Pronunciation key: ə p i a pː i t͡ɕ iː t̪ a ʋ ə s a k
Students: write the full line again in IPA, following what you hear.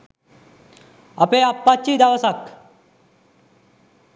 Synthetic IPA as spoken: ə p e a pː a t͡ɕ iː d̪ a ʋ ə s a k